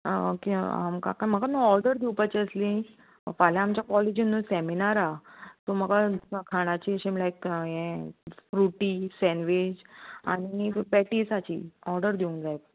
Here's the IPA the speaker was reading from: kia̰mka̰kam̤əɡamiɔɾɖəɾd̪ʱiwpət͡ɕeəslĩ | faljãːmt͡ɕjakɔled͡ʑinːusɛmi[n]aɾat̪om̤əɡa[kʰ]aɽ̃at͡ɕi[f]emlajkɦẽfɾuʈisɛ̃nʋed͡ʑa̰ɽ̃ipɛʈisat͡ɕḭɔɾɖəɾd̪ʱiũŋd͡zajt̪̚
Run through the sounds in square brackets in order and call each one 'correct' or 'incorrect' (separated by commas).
correct, correct, incorrect